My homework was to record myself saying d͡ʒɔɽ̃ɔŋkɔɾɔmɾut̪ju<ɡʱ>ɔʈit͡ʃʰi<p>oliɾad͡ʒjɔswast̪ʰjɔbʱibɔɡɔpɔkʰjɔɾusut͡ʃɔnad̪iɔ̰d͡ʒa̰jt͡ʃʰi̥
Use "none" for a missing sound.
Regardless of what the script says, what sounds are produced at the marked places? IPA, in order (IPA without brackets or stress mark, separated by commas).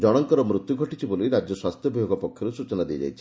ɡʱ, b